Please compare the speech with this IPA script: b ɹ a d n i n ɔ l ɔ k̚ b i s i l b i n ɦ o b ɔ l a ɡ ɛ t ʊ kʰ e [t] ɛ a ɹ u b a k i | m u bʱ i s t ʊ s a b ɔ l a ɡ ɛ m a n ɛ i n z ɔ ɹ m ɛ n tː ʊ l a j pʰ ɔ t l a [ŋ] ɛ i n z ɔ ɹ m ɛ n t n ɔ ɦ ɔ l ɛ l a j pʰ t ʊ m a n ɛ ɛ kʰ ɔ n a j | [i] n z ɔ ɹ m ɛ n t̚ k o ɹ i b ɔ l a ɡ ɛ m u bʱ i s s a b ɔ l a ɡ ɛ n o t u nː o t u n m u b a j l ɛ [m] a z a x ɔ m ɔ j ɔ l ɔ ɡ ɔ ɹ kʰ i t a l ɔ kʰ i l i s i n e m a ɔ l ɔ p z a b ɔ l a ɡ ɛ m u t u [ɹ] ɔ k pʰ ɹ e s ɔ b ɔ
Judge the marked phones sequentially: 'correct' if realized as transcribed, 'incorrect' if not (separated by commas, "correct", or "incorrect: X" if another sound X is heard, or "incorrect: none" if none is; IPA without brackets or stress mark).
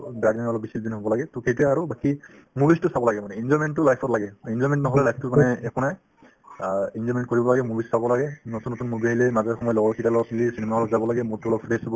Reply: correct, incorrect: ɡ, correct, correct, incorrect: l